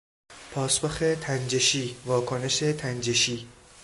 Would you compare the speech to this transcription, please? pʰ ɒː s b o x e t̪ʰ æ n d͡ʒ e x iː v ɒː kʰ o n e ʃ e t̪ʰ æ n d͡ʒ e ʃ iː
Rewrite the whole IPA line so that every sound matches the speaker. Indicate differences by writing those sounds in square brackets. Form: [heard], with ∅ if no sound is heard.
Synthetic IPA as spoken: pʰ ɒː s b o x e t̪ʰ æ n d͡ʒ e [ʃ] iː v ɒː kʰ o n e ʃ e t̪ʰ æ n d͡ʒ e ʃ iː